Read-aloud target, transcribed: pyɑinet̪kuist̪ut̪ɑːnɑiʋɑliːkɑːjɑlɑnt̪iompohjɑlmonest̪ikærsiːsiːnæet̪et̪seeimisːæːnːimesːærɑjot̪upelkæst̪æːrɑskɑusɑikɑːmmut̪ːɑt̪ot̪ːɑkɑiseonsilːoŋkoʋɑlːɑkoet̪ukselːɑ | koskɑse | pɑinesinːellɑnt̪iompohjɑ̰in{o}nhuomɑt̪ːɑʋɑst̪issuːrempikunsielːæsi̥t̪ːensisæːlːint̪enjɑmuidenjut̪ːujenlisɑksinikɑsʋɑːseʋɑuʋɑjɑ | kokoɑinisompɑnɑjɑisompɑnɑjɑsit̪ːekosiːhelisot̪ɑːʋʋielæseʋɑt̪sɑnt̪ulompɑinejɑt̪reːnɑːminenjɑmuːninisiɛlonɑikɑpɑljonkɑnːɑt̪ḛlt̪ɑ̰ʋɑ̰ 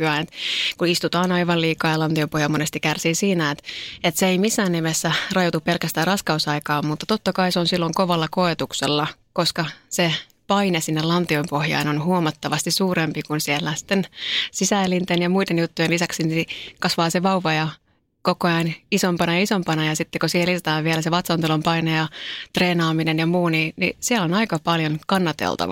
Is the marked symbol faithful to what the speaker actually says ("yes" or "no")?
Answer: yes